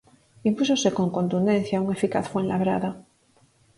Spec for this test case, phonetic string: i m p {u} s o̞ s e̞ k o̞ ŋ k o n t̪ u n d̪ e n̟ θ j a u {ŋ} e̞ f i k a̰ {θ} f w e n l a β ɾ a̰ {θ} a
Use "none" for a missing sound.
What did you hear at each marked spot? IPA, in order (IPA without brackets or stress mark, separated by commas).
u, ŋ, θ, ð